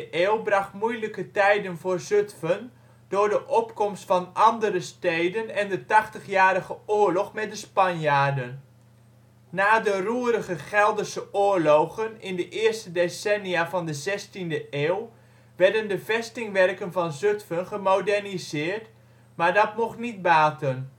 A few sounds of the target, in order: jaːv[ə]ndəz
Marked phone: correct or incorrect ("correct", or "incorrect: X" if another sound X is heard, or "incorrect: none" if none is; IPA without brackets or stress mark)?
incorrect: ɑ